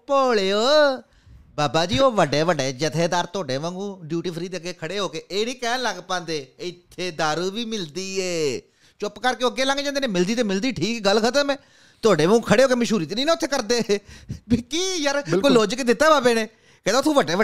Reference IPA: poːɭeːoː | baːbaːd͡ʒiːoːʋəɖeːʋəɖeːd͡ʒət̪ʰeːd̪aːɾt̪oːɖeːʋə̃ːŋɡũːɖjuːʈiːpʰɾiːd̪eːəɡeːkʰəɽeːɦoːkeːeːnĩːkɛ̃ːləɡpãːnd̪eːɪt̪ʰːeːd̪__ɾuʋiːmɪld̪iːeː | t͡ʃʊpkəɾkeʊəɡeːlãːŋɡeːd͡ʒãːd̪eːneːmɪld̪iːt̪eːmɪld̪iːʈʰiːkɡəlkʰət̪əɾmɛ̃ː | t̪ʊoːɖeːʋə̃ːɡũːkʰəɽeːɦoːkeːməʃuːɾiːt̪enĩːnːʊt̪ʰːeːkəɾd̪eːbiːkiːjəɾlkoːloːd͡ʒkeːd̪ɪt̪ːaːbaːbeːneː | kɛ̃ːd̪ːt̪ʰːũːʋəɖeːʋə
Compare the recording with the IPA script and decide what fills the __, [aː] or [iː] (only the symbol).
aː